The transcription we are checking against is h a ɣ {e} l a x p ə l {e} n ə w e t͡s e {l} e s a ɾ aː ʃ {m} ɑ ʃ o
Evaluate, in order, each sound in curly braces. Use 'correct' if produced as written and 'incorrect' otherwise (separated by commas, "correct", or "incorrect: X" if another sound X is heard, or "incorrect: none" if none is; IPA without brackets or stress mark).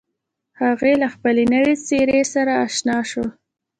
correct, correct, incorrect: ɾ, incorrect: n